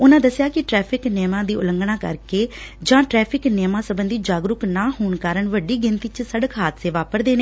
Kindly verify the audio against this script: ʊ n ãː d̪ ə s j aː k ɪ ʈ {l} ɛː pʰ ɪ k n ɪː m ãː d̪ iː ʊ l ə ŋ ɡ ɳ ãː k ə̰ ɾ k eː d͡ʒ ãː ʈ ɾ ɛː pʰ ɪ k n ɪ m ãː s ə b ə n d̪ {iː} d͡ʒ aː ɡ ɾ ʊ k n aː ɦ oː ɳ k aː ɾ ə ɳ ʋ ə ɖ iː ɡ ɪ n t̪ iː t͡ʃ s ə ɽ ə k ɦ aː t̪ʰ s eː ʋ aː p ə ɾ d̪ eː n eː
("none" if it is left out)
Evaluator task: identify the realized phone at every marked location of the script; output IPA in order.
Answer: ɾ, iː

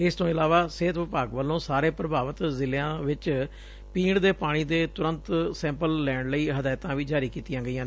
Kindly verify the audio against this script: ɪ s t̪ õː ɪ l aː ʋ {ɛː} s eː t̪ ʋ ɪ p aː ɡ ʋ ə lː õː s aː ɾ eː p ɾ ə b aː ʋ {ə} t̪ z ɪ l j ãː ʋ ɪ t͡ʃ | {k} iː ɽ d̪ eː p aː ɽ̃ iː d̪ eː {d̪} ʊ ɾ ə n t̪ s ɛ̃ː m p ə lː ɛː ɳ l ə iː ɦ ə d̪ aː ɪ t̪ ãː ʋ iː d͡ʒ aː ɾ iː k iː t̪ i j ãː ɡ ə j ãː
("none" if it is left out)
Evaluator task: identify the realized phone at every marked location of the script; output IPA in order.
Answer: aː, ə, p, t̪

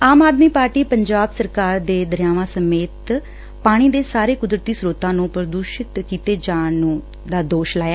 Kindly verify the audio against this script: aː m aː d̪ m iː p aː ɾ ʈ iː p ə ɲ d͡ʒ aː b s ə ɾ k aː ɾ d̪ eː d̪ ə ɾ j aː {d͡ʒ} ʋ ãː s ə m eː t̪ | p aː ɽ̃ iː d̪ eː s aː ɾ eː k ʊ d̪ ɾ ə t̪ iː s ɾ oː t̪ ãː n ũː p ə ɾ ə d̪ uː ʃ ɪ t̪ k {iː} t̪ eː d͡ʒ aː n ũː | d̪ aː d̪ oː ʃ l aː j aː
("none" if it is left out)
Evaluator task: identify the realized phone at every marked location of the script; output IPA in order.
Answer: none, iː

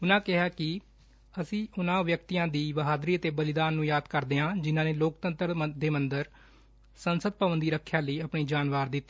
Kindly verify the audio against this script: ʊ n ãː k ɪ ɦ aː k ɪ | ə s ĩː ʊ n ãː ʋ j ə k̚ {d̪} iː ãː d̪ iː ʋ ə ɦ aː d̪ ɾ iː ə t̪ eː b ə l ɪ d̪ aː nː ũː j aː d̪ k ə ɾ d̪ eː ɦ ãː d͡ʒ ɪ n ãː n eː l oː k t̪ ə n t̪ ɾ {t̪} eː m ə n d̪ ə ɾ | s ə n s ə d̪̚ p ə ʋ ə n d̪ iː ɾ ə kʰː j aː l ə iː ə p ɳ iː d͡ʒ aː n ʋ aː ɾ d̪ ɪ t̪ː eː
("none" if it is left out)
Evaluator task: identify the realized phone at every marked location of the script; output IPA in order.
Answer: t̪, d̪

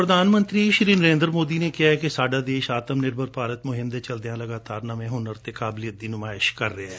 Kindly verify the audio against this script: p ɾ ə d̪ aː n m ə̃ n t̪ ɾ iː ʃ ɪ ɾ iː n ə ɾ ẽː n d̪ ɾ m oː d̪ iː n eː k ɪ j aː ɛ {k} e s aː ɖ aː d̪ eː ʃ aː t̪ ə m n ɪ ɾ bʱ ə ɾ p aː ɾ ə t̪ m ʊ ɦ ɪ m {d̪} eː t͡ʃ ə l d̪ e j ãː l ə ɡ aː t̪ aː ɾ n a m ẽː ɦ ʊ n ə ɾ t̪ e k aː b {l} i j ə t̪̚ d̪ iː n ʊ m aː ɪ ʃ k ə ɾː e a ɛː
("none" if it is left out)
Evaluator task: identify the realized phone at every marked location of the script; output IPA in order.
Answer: k, d̪, l

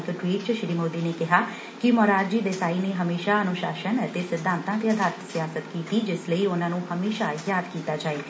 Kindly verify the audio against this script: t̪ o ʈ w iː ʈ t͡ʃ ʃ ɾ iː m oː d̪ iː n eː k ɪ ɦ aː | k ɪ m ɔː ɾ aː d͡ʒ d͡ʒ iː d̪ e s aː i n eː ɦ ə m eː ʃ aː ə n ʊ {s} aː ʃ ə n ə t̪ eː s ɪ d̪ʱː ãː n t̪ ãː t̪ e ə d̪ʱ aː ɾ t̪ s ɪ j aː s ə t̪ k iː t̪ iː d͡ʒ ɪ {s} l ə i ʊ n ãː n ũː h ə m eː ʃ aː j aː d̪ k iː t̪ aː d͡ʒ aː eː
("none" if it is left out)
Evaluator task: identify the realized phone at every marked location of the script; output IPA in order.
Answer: ʃ, s

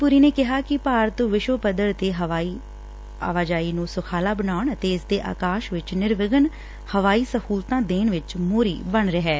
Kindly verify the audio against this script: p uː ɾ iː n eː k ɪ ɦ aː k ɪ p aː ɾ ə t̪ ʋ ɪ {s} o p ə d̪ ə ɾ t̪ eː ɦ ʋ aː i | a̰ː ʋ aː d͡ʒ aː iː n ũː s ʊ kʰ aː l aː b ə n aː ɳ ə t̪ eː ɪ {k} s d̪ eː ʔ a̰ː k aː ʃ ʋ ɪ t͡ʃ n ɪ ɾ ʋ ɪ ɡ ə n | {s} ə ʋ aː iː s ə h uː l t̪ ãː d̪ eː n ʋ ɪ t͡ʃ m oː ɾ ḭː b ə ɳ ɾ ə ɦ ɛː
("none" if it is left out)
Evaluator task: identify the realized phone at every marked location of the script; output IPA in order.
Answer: ʃ, none, h

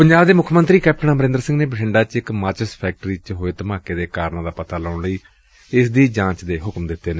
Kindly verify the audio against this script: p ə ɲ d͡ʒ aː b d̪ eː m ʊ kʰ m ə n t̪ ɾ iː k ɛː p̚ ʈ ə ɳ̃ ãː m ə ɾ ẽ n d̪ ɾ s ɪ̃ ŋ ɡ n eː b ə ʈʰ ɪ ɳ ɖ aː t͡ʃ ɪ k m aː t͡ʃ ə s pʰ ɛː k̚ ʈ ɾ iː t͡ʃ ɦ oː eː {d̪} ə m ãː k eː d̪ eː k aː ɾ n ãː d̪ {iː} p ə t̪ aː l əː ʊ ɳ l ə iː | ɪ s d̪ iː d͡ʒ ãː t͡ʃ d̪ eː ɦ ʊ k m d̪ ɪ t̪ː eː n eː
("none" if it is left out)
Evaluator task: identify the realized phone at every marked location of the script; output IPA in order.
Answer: t̪, aː

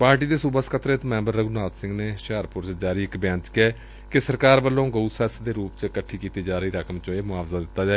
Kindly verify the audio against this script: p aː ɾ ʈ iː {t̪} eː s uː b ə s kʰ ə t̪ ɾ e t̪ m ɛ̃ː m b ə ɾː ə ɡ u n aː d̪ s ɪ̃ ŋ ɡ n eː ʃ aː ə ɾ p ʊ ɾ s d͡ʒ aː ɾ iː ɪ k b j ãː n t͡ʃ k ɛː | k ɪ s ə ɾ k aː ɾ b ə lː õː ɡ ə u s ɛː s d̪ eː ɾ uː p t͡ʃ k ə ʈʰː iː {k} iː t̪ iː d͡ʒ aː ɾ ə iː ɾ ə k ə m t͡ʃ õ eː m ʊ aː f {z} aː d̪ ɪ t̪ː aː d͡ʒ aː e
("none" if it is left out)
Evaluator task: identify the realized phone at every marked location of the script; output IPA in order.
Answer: d̪, k, z

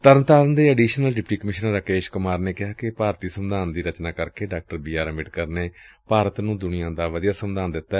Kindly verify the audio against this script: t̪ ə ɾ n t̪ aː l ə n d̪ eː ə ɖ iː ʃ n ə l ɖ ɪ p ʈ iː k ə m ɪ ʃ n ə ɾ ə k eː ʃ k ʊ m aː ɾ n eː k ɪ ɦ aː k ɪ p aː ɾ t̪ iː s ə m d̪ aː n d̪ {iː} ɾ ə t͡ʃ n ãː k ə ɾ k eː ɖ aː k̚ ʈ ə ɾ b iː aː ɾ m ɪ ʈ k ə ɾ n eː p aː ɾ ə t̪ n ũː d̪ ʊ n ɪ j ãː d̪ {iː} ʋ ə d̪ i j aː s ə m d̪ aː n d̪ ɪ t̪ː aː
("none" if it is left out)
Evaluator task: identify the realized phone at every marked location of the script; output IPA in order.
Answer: iː, aː

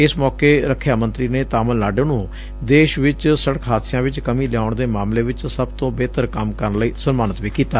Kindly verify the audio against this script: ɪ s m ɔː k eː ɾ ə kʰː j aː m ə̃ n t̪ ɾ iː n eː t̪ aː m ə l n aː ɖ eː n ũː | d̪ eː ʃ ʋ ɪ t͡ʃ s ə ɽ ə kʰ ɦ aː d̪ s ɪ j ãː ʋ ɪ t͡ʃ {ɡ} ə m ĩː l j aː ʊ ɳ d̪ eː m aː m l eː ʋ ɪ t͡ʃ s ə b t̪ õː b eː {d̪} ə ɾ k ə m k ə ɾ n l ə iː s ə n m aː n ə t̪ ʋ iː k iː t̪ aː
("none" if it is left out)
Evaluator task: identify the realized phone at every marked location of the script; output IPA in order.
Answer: k, t̪

